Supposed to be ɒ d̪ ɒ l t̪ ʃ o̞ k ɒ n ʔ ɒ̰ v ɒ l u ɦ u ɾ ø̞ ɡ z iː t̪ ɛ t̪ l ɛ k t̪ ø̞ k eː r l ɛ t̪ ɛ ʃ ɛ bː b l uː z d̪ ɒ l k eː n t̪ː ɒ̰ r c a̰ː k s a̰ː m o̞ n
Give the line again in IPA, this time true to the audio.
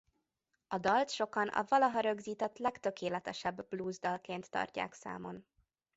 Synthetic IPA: ɒ d̪ ɒ l t̪ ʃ o̞ k ɒ n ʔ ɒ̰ v ɒ l ɒ ɦ ɒ ɾ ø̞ ɡ z iː t̪ ɛ t̪ l ɛ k t̪ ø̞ k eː l ɛ t̪ ɛ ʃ ɛ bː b l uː z d̪ ɒ l k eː n t̪ː ɒ̰ r c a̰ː k s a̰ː m o̞ n

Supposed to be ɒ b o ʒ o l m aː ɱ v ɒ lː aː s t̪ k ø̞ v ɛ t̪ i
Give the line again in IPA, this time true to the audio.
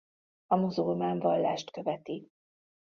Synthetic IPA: ɒ m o z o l m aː ɱ v ɒ lː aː ʃ t̪ k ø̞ v ɛ t̪ i

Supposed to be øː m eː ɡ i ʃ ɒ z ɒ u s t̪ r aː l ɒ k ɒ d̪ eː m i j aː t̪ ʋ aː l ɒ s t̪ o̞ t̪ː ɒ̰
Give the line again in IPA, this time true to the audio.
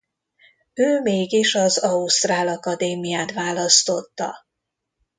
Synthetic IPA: øː m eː ɡ i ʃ ɒ z ɒ u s t̪ r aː l ɒ k ɒ d̪ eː m i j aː t̪ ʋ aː l ɒ s t̪ o̞ t̪ː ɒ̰

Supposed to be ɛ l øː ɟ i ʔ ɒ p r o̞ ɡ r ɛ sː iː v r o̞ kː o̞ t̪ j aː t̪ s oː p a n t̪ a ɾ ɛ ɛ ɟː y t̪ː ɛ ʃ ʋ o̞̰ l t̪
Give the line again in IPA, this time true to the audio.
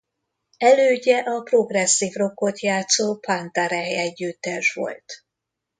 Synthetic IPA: ɛ l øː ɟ ɛ ʔ ɒ p r o̞ ɡ r ɛ sː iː v r o̞ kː o̞ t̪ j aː t̪ s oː p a n t̪ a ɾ ɛ ɛ ɟː y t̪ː ɛ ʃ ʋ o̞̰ l t̪

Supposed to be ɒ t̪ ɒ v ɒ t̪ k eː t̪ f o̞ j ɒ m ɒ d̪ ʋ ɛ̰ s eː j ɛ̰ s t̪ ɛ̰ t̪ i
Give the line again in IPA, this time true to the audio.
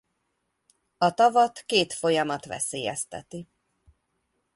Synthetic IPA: ɒ t̪ ɒ v ɒ t̪ k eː t̪ f o̞ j ɒ m ɒ t̪ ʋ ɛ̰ s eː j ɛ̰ s t̪ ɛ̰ t̪ i

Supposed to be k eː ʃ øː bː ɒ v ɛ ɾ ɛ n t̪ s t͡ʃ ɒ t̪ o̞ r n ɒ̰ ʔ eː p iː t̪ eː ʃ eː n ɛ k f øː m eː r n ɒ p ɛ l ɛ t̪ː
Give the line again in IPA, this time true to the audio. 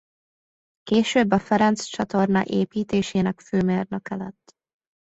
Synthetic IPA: k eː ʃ øː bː ɒ f ɛ ɾ ɛ n t̪ s t͡ʃ ɒ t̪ o̞ r n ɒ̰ ʔ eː p iː t̪ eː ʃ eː n ɛ k f øː m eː r n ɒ k ɛ l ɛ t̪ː

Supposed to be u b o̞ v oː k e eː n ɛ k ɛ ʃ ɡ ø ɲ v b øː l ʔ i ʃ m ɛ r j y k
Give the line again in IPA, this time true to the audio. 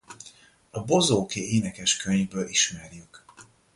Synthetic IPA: ɒ b o̞ z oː k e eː n ɛ k ɛ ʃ k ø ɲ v b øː l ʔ i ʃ m ɛ r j y k

